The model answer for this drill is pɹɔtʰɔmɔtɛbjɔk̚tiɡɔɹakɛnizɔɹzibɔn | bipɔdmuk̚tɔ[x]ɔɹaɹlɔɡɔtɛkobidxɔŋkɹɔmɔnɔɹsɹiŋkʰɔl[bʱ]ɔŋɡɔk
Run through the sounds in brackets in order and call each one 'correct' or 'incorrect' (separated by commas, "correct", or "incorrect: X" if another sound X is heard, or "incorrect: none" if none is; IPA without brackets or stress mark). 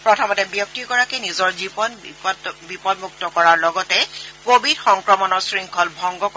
incorrect: k, correct